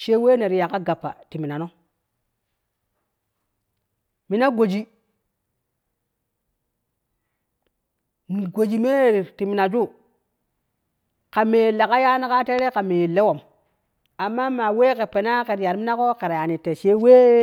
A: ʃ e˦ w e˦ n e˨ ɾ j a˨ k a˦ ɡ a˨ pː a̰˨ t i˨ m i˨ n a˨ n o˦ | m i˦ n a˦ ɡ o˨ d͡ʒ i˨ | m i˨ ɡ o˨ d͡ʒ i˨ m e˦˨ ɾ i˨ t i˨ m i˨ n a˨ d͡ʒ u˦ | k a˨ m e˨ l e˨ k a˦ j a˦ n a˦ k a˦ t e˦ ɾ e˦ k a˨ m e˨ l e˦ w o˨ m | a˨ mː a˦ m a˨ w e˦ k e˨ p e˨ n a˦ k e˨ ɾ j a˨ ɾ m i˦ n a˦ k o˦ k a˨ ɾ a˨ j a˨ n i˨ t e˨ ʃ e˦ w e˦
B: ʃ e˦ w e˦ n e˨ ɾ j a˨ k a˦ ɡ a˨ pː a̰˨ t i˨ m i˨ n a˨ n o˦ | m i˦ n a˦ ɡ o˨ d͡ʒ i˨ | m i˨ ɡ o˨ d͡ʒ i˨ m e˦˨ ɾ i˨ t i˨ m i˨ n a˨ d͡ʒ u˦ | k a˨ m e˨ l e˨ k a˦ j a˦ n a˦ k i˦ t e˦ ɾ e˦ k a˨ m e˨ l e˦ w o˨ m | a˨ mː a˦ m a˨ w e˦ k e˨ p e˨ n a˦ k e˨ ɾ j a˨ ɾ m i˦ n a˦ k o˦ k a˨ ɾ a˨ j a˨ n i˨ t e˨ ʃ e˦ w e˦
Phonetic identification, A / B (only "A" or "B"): A